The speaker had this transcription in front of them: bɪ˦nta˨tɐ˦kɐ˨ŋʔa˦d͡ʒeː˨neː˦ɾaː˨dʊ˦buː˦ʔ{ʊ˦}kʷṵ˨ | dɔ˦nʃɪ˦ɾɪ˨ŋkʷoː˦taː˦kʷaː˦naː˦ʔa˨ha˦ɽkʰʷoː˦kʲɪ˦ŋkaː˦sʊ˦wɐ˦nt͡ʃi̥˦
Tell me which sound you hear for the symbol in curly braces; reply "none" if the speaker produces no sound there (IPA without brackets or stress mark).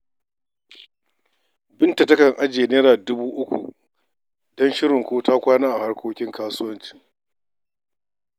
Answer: ʊ˦